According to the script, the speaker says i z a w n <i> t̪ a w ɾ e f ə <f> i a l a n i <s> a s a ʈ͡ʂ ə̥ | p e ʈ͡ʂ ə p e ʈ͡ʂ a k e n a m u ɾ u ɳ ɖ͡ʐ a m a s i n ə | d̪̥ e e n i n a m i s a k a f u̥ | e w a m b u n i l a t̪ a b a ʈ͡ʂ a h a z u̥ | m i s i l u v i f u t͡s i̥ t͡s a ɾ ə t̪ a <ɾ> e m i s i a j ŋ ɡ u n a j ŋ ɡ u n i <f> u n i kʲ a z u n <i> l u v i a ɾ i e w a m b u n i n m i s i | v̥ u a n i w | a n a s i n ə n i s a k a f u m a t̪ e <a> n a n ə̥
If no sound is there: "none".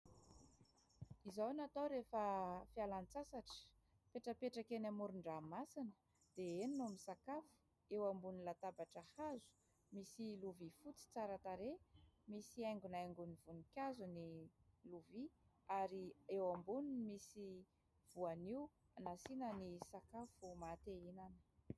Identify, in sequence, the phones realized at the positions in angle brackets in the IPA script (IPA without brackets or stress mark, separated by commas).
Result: a, f, t͡s, ɾ, v, i, i